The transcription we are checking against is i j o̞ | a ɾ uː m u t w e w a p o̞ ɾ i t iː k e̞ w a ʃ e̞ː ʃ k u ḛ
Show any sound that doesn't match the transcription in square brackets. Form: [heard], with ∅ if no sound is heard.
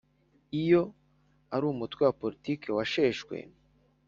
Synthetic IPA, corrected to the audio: i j o̞ | a ɾ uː m u t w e w a p o̞ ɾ i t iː k e̞ w a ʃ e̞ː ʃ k [w] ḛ